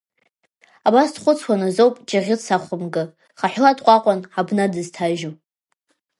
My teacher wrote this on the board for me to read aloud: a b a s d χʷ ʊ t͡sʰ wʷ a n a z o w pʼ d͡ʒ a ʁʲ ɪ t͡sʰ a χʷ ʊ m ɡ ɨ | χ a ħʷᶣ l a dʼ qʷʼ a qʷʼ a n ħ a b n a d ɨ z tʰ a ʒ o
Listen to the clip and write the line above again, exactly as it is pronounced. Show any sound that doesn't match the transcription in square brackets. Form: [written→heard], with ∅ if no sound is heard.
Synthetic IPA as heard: a b a s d χʷ ʊ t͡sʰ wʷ a n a z o w pʼ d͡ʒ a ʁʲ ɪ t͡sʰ a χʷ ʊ m ɡ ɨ | χ a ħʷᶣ l a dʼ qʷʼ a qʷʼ a n ħ a b n a d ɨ z tʰ a ʒ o